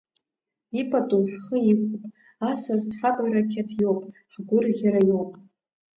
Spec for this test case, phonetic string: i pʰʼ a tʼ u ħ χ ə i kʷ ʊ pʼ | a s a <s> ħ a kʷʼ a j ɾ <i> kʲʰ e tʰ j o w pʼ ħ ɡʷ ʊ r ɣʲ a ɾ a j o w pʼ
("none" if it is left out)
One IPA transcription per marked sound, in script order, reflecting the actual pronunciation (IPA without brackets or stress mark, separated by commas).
z, a